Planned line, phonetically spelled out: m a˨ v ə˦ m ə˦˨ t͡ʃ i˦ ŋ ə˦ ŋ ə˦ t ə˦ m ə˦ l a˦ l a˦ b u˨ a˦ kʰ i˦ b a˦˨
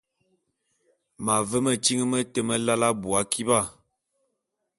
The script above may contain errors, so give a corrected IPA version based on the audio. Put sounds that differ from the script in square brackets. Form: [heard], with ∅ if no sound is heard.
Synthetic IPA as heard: m a˨ v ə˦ m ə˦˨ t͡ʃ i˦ ŋ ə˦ [m] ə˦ t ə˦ m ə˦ l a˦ l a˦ b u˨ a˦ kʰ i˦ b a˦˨